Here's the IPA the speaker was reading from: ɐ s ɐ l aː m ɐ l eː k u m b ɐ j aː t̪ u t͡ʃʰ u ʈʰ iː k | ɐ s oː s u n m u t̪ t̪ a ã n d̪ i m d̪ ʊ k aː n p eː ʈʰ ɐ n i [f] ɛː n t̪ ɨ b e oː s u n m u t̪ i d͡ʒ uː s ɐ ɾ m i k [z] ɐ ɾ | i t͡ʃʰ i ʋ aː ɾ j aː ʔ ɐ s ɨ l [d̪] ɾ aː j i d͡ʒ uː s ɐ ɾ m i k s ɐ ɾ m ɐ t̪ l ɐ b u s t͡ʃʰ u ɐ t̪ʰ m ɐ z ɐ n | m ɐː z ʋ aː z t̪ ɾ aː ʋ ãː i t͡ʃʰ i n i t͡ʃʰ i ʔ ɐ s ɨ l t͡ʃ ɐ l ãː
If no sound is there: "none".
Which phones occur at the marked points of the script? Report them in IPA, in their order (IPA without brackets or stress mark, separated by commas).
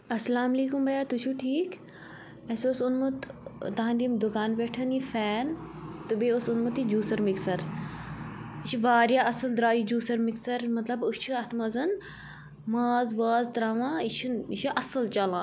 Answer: f, s, d̪